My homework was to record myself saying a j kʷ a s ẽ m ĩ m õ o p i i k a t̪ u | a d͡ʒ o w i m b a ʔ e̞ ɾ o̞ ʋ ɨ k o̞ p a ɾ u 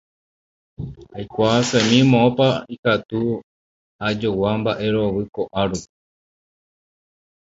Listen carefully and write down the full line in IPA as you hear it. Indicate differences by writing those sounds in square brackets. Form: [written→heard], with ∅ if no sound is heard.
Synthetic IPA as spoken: a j kʷ a s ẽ m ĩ m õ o p [i→a] i k a t̪ u | a d͡ʒ o w [i→a] m b a ʔ e̞ ɾ o̞ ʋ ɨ k o̞ [p→ʔ] a ɾ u